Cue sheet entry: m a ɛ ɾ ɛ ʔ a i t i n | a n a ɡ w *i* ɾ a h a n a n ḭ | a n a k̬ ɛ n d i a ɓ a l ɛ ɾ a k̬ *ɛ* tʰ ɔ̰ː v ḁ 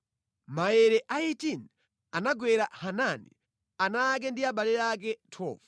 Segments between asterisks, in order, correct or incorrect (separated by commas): incorrect, correct